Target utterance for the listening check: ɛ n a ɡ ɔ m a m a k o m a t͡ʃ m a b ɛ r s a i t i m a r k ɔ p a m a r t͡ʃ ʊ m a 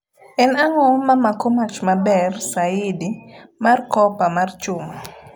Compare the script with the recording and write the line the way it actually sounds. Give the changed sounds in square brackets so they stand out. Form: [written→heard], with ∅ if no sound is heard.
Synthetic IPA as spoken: ɛ n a [ɡ→ŋ] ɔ m a m a k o m a t͡ʃ m a b ɛ r s a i [t→d] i m a r k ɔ p a m a r t͡ʃ ʊ m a